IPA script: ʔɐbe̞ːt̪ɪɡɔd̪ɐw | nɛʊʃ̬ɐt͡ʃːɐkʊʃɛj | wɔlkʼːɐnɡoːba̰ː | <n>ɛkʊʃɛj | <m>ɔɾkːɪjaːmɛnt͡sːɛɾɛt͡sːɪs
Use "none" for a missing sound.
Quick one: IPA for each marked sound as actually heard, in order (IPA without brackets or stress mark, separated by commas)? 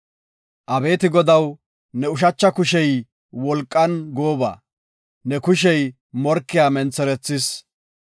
n, m